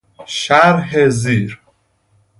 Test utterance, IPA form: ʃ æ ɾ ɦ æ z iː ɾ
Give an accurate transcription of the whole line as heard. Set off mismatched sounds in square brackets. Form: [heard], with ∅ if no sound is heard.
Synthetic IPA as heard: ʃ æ ɾ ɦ [e] z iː ɾ